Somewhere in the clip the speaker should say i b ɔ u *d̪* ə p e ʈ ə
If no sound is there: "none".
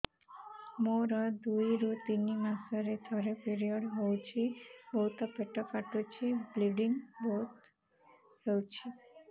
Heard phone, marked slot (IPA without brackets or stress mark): t̪